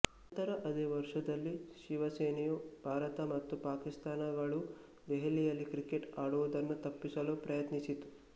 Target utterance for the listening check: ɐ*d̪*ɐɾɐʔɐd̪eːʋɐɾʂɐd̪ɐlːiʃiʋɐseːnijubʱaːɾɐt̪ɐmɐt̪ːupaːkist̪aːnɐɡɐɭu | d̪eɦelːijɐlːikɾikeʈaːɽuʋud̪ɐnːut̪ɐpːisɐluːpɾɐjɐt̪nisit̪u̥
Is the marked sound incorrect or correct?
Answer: incorrect